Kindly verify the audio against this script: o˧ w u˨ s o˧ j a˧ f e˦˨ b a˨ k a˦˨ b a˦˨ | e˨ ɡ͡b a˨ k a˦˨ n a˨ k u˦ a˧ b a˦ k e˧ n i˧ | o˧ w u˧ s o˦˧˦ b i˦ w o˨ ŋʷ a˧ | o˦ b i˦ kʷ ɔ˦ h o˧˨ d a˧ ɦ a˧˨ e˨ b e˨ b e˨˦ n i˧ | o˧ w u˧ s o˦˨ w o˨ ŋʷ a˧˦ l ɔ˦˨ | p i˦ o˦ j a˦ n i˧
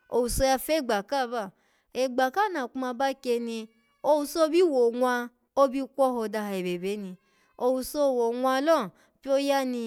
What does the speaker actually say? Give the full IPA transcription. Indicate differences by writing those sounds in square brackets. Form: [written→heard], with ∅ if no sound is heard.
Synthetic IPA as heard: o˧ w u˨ s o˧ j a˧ f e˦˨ [b→ɡ͡b] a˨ k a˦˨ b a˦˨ | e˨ ɡ͡b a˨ k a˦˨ n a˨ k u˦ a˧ b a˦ k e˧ n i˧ | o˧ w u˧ s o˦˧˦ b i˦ w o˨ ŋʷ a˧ | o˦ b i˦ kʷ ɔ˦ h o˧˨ d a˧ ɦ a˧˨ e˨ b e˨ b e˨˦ n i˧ | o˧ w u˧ s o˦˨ w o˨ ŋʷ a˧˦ l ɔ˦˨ | p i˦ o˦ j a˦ n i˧

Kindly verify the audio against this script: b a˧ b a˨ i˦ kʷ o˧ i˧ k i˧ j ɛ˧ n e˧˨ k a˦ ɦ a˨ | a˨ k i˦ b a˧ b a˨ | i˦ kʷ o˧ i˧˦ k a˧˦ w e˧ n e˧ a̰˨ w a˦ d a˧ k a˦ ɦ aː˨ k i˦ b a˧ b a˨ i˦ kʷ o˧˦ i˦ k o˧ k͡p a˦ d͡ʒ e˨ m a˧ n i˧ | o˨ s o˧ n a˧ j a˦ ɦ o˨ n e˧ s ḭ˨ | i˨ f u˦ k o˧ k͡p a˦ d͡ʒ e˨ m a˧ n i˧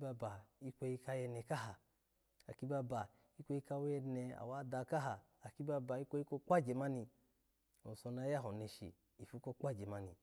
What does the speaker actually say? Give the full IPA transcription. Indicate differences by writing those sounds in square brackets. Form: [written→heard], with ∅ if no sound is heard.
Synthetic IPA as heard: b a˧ b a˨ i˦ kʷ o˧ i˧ k [i˧→a˧] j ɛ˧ n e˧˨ k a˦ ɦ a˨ | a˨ k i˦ b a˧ b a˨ | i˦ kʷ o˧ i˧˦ k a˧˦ w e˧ n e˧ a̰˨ w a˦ d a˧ k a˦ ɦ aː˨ k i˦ b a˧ b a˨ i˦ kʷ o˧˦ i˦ k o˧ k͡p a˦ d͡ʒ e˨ m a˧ n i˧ | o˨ s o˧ n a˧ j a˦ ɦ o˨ n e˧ [s→ʃ] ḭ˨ | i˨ f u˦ k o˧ k͡p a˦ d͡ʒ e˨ m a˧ n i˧

